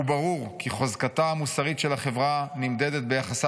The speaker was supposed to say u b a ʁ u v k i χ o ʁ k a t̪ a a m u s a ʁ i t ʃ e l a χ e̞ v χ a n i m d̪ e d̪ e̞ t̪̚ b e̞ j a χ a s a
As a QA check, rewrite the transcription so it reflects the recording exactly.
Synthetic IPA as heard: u b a ʁ u ʁ k i χ o z k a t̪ a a m u s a ʁ i t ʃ e l a χ e̞ v ʁ a n i m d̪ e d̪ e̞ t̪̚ b e̞ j a χ a s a